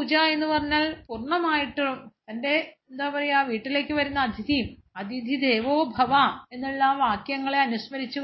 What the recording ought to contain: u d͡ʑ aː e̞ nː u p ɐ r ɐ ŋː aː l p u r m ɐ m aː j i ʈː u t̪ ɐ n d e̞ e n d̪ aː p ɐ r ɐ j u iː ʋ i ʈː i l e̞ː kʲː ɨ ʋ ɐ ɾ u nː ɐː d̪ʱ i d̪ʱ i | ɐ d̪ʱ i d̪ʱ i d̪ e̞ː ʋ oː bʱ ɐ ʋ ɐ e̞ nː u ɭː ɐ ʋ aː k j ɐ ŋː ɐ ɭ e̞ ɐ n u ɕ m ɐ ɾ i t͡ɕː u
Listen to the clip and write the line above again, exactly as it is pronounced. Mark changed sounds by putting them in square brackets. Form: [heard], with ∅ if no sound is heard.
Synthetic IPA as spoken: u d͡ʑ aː e̞ nː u p ɐ r ɐ [ɲː] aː l p u r [ɳ] ɐ m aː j i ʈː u t̪ ɐ n d e̞ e n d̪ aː p ɐ r ɐ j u [aː] ʋ [iː] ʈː i l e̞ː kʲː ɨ ʋ ɐ ɾ u nː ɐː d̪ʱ i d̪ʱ i | ɐ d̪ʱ i d̪ʱ i d̪ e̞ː ʋ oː bʱ ɐ ʋ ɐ e̞ nː u ɭː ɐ ʋ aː k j ɐ ŋː ɐ ɭ e̞ ɐ n u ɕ m ɐ ɾ i t͡ɕː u